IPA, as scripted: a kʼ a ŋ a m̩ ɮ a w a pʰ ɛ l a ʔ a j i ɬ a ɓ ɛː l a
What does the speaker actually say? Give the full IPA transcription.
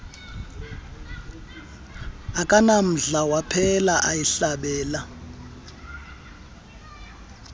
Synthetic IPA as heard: a kʼ a n a m̩ ɮ a w a pʰ ɛ l a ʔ a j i ɬ a ɓ ɛː l a